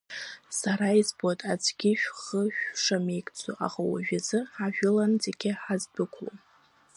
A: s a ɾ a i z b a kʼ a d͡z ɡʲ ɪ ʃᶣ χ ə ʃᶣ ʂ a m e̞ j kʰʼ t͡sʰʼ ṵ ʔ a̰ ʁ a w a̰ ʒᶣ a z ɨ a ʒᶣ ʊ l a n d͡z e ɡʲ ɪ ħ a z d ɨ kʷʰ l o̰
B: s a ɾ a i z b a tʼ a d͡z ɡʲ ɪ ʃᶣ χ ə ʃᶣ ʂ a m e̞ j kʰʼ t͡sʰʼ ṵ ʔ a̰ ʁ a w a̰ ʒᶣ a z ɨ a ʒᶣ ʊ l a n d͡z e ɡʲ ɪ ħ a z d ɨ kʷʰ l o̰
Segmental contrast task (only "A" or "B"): B